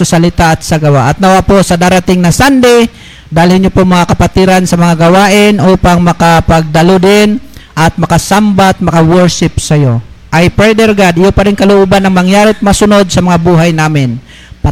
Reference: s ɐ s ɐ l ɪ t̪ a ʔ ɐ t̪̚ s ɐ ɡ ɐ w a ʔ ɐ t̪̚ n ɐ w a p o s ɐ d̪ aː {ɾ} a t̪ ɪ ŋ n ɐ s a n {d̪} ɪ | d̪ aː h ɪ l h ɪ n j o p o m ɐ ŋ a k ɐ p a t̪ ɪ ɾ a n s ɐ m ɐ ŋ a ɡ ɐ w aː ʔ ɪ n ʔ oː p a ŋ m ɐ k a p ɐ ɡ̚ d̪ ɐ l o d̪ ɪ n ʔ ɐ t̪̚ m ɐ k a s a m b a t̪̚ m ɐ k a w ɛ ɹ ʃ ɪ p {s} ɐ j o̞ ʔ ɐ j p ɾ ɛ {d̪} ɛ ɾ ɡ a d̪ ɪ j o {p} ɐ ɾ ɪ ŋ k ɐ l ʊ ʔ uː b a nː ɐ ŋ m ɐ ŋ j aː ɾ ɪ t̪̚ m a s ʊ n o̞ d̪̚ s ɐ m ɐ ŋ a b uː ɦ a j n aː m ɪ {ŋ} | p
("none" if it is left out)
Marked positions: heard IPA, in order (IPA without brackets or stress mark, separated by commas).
ɾ, d̪, s, d̪, p, n